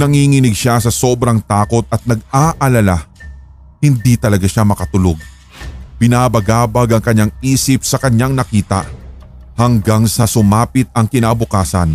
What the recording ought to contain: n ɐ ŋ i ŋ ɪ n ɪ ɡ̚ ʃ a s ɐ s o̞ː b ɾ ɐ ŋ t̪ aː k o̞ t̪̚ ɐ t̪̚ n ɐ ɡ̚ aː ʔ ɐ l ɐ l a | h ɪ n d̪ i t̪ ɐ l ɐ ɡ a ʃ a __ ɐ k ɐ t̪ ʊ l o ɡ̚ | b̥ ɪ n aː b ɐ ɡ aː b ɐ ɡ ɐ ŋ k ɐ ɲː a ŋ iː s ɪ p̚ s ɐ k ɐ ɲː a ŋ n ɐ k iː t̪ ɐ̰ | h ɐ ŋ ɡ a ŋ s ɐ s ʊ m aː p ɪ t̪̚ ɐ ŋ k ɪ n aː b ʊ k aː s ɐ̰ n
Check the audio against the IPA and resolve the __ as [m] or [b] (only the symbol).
m